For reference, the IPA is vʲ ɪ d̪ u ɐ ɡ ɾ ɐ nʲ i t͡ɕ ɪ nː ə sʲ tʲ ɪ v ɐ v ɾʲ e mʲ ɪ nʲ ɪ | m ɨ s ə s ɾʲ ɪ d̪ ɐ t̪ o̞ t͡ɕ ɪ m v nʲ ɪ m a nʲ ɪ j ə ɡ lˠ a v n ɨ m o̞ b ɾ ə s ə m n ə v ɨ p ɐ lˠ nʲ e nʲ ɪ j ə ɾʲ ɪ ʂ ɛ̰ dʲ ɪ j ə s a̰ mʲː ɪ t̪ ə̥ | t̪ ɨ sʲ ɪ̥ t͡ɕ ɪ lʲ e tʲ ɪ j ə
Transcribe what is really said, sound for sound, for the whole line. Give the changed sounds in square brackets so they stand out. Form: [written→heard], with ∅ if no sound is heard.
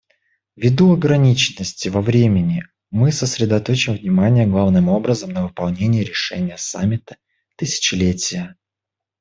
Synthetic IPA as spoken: vʲ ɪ d̪ u ɐ ɡ ɾ ɐ nʲ i t͡ɕ ɪ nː ə sʲ tʲ ɪ v ɐ v ɾʲ e mʲ ɪ nʲ ɪ | m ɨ s ə s ɾʲ ɪ d̪ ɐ t̪ o̞ t͡ɕ ɪ m v nʲ ɪ m a nʲ ɪ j ə ɡ lˠ a v n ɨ m o̞ b ɾ ə [s→z] ə m n ə v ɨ p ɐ lˠ nʲ e nʲ ɪ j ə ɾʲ ɪ ʂ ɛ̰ [dʲ→nʲ] ɪ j ə s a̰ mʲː ɪ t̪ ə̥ | t̪ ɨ sʲ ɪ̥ t͡ɕ ɪ lʲ e tʲ ɪ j ə